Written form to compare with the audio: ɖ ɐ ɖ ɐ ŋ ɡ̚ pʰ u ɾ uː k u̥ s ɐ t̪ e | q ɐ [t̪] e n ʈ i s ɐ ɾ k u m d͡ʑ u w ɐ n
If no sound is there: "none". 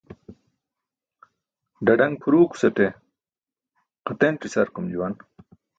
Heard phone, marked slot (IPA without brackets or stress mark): t̪